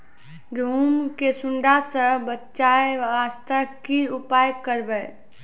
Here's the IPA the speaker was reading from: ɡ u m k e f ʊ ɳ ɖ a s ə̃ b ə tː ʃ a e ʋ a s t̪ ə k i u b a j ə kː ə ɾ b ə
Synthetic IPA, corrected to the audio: ɡ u m k e s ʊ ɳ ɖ a s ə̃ b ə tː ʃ a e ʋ a s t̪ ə k i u p a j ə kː ə ɾ b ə